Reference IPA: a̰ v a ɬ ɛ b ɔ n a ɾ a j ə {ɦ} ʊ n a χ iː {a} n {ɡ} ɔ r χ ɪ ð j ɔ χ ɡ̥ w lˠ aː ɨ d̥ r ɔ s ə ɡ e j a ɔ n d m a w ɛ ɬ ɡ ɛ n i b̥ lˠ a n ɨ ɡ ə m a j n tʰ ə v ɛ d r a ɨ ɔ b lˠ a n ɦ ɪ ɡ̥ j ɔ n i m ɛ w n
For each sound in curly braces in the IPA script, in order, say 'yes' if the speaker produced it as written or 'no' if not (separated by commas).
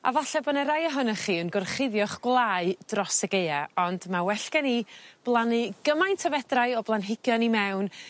yes, no, yes